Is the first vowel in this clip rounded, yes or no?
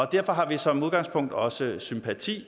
yes